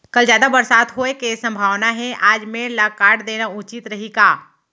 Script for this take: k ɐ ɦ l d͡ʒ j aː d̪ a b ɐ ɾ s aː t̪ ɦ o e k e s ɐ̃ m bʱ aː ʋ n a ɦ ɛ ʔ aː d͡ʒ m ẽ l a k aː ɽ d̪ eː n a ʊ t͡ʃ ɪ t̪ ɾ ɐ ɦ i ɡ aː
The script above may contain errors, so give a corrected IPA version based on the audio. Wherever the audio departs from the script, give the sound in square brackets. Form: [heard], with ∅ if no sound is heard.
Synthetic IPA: k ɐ [∅] l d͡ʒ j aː d̪ a b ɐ ɾ s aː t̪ ɦ o e k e s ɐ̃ m bʱ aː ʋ n a ɦ ɛ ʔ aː d͡ʒ m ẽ l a k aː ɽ d̪ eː n a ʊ t͡ʃ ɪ t̪ ɾ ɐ ɦ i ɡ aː